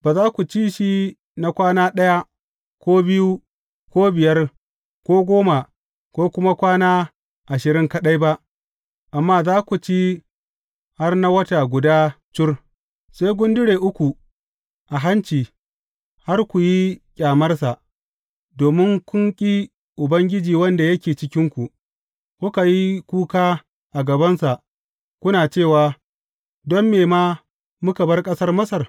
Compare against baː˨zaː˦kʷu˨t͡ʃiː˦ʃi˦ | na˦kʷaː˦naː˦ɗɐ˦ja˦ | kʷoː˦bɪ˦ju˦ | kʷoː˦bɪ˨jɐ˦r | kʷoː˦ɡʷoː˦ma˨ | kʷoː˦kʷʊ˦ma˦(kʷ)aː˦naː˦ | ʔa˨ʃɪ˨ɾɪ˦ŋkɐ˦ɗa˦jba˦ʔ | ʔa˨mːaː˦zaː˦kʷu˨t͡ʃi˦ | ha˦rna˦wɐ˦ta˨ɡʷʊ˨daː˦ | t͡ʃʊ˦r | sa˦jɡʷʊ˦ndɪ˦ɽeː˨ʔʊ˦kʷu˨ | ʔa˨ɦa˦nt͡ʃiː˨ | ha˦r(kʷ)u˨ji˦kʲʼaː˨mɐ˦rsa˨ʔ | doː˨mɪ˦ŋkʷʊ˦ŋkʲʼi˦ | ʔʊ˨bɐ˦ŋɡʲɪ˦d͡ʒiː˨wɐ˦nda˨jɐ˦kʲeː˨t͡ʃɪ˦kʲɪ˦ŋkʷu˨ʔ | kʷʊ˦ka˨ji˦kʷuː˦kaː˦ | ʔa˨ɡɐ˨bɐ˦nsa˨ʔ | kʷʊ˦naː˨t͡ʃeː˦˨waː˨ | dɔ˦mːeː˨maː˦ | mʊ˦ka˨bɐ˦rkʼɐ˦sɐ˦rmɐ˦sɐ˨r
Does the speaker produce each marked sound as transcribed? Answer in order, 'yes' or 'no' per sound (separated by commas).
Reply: yes, yes